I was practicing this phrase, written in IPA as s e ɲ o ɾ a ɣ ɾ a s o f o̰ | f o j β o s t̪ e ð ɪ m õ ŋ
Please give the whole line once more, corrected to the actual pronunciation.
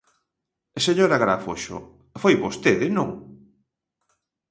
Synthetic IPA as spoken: s e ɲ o ɾ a ɣ ɾ a f o ʃ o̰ | f o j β o s t̪ e ð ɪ n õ ŋ